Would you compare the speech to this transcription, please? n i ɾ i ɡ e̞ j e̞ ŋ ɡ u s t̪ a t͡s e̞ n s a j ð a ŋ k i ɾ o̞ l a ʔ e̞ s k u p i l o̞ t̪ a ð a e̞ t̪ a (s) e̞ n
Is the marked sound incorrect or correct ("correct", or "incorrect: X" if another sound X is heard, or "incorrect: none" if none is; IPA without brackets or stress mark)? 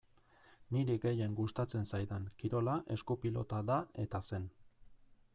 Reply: correct